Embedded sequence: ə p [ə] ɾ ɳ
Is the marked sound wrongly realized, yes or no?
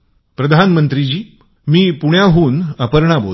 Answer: no